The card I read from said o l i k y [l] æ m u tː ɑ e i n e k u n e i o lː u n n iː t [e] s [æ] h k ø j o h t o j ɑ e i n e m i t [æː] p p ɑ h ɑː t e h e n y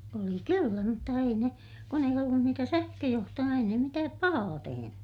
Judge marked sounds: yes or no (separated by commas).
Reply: no, no, yes, yes